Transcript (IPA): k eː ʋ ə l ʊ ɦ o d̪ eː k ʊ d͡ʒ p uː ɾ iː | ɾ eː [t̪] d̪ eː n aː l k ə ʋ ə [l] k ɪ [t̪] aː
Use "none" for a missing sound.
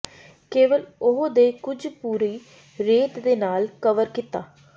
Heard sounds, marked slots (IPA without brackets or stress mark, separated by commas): t̪, ɾ, t̪